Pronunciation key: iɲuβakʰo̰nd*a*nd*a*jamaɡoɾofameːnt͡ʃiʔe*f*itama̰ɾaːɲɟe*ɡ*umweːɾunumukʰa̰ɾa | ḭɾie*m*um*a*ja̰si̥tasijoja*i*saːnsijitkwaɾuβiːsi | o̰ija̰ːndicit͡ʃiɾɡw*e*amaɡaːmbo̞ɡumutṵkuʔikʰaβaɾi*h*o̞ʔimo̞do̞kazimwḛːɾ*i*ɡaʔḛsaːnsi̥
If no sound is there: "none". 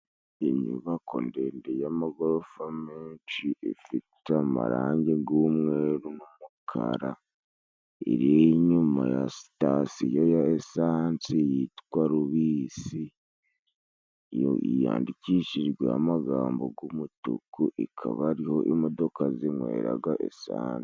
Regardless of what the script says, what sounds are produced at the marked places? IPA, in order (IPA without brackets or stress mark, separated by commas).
e, e, f, ɡ, ɲ, a, e, e, h, a